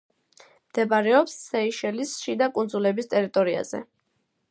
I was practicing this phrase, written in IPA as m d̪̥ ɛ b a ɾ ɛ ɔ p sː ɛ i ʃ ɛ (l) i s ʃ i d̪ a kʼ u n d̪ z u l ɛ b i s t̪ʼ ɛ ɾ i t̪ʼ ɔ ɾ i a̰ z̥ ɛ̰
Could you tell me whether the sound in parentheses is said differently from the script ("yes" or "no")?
no